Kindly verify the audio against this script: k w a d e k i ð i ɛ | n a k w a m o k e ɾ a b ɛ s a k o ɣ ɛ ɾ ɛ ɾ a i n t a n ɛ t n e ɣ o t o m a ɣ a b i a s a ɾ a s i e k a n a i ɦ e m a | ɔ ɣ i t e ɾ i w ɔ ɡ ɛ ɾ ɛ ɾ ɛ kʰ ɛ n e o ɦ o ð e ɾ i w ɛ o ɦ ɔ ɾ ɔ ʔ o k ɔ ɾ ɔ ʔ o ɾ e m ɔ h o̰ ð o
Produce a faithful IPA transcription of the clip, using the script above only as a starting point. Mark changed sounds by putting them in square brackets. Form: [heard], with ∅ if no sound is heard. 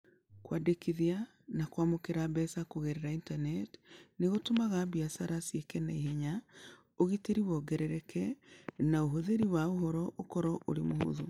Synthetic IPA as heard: k w a d e k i ð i [a] | n a k w a m o k e ɾ a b ɛ s a k o ɣ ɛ ɾ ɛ ɾ a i n t a n ɛ t n e ɣ o t o m a ɣ a b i a s a ɾ a s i e k [ɛ] n a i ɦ e [ɲ] a | [o] ɣ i t e ɾ i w ɔ ɡ ɛ ɾ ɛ ɾ ɛ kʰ ɛ n [a] o ɦ o ð e ɾ i w [a] o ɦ ɔ ɾ ɔ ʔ o k ɔ ɾ ɔ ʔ o ɾ e m [o] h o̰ ð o